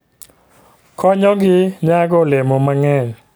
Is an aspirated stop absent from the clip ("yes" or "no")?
no